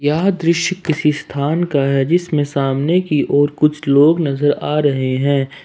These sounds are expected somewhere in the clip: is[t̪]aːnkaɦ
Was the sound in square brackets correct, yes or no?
no